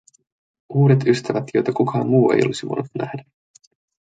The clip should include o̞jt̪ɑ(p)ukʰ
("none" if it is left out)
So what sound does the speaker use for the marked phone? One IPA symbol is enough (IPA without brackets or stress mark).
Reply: k